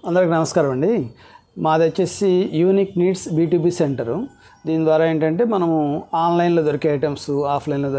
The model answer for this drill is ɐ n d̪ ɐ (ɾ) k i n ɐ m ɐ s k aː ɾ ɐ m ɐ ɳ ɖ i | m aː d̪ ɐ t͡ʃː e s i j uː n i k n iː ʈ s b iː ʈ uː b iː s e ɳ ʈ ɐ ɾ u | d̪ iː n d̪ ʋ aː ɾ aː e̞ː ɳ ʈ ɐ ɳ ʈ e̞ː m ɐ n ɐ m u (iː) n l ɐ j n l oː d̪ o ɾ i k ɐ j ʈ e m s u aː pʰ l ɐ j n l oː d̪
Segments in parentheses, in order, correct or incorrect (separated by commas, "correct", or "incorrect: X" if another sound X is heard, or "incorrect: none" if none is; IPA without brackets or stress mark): correct, incorrect: aː